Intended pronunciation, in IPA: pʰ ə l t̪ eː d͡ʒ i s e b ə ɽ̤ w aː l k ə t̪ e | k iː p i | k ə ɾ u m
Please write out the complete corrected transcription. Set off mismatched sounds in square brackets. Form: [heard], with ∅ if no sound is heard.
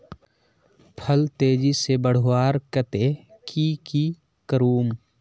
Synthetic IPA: pʰ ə l t̪ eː d͡ʒ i s e b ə ɽ̤ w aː [ɾ] k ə t̪ e | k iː [k] i | k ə ɾ [uː] m